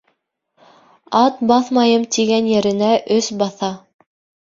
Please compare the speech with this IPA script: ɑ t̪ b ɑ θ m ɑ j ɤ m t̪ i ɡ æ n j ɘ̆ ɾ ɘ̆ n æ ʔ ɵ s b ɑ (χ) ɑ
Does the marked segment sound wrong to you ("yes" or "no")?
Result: yes